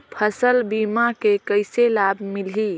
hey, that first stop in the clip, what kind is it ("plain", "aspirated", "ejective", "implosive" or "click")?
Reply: aspirated